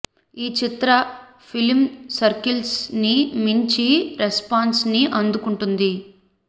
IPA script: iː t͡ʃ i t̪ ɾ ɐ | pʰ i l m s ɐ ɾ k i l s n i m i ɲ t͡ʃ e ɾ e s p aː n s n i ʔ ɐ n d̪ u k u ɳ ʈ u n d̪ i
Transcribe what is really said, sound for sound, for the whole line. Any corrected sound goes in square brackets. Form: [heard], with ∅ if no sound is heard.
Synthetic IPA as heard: iː t͡ʃ i t̪ ɾ ɐ | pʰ i l m s ɐ ɾ k i l s n i m i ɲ t͡ʃ [i] ɾ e s p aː n s n i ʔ ɐ n d̪ u k u ɳ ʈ u n d̪ i